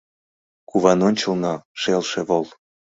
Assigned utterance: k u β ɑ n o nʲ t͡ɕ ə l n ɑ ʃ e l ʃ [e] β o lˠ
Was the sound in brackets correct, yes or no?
yes